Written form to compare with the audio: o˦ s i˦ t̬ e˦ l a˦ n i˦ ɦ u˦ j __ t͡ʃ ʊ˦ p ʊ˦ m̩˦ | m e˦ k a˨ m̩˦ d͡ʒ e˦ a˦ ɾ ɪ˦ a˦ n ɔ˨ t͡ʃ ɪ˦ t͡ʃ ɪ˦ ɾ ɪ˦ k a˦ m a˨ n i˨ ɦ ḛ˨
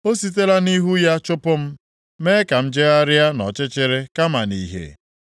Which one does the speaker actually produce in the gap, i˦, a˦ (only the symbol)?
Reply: a˦